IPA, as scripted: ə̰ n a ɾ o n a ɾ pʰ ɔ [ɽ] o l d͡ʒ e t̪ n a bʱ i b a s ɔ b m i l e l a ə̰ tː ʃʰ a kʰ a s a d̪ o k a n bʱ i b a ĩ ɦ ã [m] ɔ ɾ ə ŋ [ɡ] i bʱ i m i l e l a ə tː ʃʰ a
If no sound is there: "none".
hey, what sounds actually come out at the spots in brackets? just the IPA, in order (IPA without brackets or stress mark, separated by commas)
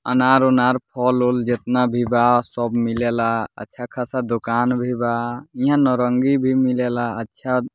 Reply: l, n, ɡ